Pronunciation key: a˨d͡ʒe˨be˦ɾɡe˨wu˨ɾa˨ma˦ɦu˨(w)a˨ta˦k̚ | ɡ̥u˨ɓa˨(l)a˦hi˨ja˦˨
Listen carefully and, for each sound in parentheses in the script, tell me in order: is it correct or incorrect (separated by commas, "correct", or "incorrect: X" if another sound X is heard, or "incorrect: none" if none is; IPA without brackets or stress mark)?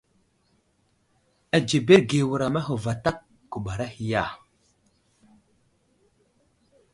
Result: incorrect: v, incorrect: ɾ